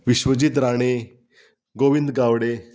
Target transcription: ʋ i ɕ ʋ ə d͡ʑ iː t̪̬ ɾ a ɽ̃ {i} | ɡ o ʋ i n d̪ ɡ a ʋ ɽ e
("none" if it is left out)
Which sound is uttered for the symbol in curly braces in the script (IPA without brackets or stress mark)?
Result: e